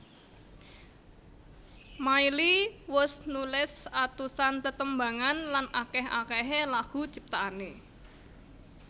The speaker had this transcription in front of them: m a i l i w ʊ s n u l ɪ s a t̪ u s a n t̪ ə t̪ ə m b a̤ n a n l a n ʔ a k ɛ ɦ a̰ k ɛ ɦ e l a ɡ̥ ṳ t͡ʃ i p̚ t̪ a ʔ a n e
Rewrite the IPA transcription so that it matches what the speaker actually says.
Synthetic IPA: m a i l i w ʊ s n u l ɪ s a t̪ u s a n t̪ ə t̪ ə m b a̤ ŋ a n l a n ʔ a k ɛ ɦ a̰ k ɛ ɦ e l a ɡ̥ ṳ t͡ʃ i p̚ t̪ a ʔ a n e